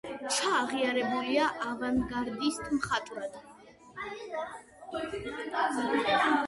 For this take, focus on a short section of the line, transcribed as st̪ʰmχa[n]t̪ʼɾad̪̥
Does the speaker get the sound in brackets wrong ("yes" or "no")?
yes